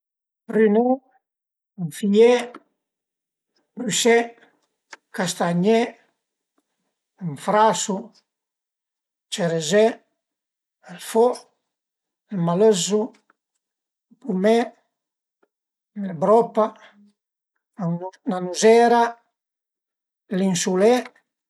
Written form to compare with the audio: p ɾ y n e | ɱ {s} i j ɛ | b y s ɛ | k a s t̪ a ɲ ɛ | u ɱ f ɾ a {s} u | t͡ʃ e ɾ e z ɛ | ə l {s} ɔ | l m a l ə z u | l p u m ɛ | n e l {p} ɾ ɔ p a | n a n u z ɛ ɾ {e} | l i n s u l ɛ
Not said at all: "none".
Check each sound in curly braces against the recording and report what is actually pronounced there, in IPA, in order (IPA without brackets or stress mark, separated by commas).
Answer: f, s, f, b, a